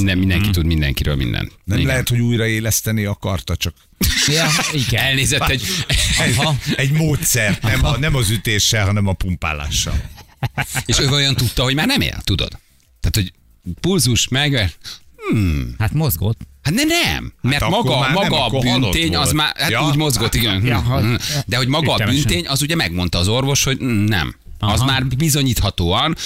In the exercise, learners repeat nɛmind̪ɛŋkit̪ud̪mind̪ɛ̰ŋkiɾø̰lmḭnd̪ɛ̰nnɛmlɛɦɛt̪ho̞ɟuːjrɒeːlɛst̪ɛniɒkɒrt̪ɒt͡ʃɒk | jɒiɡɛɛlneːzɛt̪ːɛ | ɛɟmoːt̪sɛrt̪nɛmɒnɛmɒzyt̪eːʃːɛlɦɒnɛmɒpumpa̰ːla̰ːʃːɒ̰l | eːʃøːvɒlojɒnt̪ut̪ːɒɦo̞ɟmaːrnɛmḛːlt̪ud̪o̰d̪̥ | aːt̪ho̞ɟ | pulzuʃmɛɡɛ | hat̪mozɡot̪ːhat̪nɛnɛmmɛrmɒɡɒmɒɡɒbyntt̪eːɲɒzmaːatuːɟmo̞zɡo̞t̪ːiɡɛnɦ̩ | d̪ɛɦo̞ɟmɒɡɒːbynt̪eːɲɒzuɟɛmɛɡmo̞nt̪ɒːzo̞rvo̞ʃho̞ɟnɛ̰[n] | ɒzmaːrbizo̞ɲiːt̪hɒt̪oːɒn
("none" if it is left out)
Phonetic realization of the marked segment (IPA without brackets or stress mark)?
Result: m